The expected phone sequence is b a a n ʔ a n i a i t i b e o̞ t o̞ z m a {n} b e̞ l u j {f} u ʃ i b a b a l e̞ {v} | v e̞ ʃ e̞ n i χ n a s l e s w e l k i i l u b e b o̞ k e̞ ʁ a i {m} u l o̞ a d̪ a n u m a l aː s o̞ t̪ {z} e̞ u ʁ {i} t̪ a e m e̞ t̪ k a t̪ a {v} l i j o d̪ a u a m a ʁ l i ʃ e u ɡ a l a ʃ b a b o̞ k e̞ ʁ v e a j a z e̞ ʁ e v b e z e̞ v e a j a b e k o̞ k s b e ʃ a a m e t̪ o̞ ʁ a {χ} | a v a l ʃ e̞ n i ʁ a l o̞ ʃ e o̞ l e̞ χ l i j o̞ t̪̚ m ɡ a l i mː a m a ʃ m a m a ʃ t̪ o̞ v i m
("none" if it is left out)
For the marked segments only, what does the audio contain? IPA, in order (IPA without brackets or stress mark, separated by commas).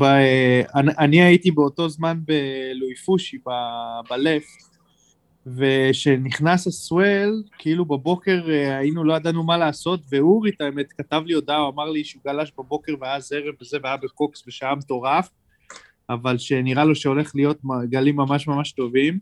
n, f, f, n, v, i, v, f